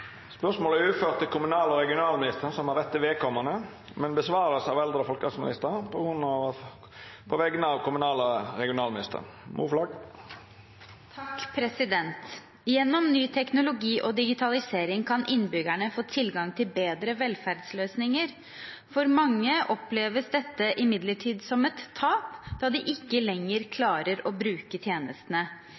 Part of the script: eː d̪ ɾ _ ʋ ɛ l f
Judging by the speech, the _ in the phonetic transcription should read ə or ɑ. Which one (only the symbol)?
ə